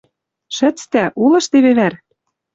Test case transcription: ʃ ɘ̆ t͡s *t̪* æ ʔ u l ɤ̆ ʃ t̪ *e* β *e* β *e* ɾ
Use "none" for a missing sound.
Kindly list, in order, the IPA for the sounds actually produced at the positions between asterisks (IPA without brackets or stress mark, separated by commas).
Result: t̪, e, e, æ